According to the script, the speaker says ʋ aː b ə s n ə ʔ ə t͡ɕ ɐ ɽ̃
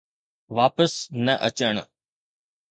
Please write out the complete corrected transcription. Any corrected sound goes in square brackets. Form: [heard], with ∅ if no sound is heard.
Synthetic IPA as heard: ʋ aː [p] ə s n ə ʔ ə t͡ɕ [ə] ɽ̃